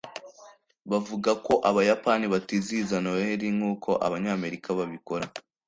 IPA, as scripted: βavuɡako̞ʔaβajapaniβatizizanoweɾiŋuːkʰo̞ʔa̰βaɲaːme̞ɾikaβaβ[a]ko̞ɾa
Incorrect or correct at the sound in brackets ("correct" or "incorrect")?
incorrect